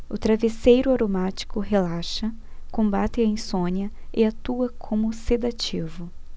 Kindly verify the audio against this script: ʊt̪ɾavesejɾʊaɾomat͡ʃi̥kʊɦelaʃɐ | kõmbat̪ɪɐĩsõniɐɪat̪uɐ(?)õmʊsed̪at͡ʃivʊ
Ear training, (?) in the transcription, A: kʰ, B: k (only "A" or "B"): A